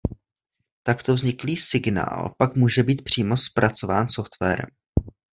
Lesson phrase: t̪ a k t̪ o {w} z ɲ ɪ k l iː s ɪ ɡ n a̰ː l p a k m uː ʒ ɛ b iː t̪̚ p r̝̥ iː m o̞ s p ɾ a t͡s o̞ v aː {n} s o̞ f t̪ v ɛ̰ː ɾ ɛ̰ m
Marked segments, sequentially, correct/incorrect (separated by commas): incorrect, correct